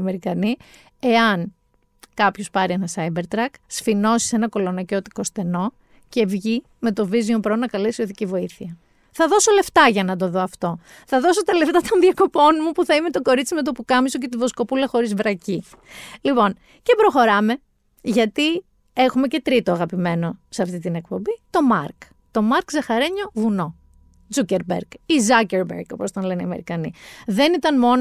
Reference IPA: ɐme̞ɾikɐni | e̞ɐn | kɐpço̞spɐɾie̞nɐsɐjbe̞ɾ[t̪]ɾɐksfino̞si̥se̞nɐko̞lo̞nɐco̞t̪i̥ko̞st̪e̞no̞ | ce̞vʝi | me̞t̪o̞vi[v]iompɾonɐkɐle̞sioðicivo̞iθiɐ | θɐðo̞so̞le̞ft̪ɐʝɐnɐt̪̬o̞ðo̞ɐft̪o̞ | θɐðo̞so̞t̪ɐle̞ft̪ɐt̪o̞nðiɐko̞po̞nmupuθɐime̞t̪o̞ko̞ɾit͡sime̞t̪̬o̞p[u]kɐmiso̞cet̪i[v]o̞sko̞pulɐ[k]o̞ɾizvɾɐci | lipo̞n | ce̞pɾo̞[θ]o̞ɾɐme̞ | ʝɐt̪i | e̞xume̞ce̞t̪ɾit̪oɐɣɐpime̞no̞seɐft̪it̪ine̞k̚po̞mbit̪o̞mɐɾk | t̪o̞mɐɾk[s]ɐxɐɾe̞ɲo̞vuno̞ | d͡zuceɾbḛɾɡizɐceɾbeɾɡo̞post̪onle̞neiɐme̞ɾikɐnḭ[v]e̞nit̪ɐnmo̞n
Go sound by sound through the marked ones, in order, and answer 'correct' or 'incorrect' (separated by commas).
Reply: correct, incorrect, correct, correct, incorrect, incorrect, incorrect, incorrect